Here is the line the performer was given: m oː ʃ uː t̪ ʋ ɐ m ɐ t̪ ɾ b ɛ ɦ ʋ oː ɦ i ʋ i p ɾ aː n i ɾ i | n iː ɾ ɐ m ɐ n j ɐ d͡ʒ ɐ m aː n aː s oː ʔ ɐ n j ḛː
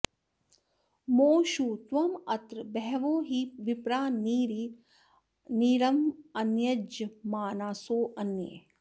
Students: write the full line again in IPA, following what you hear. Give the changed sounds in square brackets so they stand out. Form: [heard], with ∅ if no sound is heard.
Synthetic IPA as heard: m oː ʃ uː t̪ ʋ ɐ m ɐ t̪ ɾ b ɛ ɦ ʋ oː ɦ i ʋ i p ɾ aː n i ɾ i | n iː ɾ ɐ m ɐ n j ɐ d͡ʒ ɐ m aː n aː s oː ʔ ɐ n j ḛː